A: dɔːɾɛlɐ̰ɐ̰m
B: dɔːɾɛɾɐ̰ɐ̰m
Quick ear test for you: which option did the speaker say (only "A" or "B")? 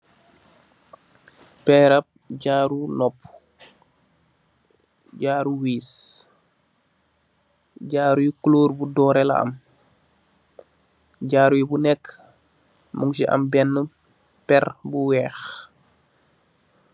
A